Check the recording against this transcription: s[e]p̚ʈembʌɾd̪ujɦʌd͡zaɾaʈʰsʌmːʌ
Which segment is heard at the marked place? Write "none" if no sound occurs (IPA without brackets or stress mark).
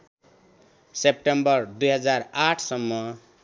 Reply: e